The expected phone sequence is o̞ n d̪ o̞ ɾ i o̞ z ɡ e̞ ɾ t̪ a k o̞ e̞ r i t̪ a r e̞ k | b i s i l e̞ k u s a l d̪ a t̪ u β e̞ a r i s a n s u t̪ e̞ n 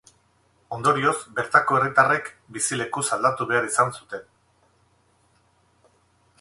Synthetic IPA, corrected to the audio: o̞ n d̪ o̞ ɾ i o̞ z b e̞ ɾ t̪ a k o̞ e̞ r i t̪ a r e̞ k | b i s i l e̞ k u s a l d̪ a t̪ u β e̞ a ɾ i s a n s u t̪ e̞ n